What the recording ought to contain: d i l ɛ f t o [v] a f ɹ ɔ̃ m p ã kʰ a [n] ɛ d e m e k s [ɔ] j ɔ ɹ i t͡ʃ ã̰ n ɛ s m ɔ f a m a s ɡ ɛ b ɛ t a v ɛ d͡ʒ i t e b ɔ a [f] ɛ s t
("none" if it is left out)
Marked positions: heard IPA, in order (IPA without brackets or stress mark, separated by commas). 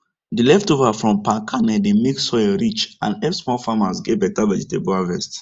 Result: v, n, ɔ, v